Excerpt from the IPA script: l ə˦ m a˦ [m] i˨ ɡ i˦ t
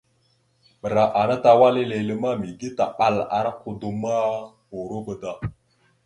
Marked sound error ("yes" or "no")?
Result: no